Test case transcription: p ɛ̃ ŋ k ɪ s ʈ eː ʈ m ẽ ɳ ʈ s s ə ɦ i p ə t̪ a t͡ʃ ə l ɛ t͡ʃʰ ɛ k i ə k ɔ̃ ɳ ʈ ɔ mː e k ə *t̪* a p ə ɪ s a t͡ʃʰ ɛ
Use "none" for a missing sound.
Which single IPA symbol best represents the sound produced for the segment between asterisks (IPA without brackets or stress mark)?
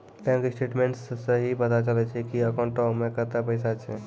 t̪